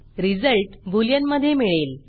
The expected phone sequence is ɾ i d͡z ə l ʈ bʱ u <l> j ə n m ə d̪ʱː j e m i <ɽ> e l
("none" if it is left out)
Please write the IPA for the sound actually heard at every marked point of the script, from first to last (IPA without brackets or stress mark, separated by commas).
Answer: l, ɭ